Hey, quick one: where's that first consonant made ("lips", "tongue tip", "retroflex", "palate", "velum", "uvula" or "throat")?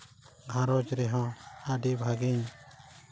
velum